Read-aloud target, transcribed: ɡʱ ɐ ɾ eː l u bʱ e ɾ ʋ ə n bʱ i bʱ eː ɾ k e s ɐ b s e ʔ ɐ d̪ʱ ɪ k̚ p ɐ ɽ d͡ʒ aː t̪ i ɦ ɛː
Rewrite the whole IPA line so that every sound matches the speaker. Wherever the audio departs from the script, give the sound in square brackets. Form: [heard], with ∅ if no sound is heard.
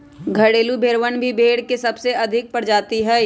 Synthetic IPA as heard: ɡʱ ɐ [ɽ] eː l u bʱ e ɾ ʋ ə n bʱ i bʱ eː [ɽ] k e s ɐ b s e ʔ ɐ d̪ʱ ɪ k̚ p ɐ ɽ d͡ʒ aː t̪ i ɦ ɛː